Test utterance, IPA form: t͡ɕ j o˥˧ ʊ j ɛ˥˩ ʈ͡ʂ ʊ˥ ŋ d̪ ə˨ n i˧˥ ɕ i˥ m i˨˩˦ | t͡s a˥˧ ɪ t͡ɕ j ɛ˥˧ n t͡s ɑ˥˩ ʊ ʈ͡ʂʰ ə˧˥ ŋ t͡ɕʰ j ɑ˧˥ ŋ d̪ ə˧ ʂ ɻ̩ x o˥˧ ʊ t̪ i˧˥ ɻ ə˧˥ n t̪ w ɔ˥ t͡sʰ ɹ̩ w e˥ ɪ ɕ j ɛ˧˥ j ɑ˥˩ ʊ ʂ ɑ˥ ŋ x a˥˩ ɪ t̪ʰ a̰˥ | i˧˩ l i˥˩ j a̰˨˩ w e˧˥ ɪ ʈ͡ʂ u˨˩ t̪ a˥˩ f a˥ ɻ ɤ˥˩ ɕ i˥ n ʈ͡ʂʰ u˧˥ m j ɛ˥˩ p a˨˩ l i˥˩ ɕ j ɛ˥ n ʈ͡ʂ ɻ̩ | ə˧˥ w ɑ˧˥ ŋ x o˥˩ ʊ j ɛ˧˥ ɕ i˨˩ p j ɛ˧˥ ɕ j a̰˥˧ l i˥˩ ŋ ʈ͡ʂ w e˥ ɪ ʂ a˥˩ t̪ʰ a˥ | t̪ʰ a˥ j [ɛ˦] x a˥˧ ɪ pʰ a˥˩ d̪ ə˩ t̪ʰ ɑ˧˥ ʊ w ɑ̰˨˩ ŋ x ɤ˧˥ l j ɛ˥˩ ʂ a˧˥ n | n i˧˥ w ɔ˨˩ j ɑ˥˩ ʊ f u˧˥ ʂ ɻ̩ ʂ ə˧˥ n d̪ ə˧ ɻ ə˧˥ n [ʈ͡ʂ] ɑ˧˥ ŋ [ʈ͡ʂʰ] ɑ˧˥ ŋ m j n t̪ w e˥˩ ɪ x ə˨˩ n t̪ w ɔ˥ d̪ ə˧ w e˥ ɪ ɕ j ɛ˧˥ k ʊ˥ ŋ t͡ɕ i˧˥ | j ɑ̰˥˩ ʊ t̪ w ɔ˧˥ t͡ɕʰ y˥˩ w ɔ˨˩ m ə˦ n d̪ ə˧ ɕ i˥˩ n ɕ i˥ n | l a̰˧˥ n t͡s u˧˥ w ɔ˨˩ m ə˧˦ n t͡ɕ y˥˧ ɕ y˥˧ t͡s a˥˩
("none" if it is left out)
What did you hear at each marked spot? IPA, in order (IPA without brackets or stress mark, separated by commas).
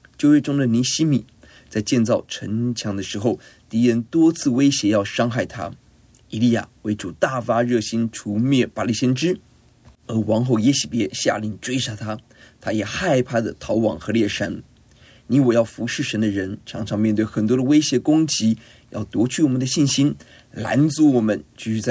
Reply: ɛ˨˩, ʈ͡ʂʰ, ʈ͡ʂʰ